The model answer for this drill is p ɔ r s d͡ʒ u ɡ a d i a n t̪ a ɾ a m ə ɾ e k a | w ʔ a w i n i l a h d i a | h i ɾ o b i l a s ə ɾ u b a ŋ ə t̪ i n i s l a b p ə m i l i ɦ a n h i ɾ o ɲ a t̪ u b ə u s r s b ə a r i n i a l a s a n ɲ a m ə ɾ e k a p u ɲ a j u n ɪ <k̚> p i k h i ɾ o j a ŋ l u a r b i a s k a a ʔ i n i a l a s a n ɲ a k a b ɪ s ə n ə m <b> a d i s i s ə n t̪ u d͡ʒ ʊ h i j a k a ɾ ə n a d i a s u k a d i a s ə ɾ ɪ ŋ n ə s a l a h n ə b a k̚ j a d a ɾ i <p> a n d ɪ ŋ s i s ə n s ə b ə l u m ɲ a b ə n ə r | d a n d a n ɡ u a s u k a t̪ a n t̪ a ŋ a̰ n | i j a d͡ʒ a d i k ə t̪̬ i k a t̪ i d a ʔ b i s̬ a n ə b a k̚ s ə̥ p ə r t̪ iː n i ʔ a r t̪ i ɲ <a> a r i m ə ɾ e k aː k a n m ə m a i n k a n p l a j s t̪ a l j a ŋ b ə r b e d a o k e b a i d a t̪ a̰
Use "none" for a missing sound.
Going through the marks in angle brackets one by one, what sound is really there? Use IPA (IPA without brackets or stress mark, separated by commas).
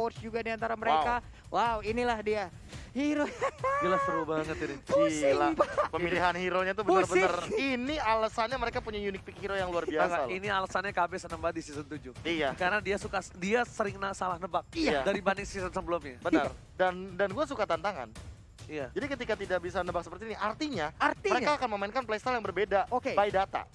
k̚, b, b, a